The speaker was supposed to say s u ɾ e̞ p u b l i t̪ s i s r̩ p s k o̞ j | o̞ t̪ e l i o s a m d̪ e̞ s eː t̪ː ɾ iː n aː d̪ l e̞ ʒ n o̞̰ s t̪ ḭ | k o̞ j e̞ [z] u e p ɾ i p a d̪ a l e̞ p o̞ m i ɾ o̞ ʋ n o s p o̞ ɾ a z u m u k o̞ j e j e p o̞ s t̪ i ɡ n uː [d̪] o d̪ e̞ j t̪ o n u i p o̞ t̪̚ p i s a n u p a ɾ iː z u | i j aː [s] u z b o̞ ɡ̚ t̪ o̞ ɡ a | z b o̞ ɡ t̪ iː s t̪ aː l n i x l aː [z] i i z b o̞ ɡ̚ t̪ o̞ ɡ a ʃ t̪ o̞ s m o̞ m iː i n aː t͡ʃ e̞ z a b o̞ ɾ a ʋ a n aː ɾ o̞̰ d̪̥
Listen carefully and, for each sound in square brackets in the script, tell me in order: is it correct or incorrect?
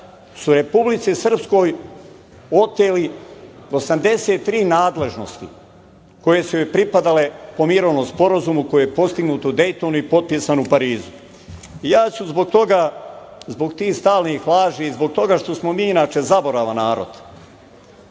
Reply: incorrect: s, incorrect: t̪, correct, incorrect: ʒ

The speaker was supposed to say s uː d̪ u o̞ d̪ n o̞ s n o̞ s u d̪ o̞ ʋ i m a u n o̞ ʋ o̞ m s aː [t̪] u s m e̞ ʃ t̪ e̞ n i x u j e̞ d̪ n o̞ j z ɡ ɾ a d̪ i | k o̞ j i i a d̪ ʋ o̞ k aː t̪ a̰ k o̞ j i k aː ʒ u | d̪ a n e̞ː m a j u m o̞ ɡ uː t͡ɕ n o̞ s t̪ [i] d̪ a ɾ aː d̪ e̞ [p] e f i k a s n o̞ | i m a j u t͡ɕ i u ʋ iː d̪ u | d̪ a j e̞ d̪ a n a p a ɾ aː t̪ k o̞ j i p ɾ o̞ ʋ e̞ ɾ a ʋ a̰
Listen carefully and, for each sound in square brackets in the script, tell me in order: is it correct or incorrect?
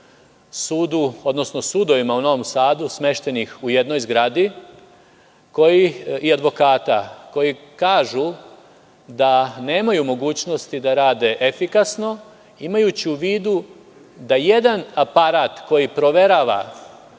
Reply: incorrect: d̪, correct, incorrect: ʔ

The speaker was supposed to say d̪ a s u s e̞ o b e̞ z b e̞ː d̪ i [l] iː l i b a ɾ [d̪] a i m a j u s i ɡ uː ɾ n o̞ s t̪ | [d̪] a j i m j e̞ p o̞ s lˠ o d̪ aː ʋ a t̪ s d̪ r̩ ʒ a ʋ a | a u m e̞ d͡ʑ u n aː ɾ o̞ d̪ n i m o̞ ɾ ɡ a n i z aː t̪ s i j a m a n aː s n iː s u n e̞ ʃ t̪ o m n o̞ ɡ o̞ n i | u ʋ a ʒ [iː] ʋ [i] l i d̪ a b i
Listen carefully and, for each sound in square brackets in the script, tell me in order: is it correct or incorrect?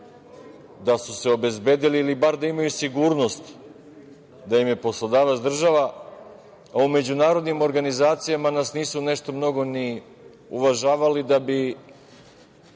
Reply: correct, correct, correct, incorrect: aː, incorrect: a

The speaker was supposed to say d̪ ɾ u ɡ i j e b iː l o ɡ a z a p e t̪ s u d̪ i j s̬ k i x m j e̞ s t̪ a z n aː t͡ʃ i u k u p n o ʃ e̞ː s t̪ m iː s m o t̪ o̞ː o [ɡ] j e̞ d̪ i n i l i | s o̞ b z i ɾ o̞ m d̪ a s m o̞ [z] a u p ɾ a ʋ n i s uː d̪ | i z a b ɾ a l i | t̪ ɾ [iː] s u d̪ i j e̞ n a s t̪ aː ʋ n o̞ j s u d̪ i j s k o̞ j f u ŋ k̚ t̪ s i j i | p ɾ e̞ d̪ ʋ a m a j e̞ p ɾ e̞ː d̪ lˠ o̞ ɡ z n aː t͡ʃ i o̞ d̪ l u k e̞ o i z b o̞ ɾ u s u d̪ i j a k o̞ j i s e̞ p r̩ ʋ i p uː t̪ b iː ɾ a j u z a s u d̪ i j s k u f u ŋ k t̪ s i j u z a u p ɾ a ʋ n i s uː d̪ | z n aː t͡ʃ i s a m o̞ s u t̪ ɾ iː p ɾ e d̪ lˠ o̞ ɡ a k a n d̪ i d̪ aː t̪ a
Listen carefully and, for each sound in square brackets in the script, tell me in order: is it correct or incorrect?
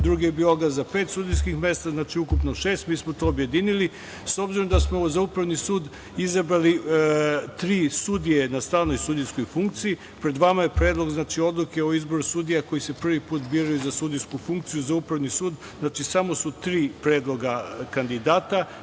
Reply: incorrect: b, correct, correct

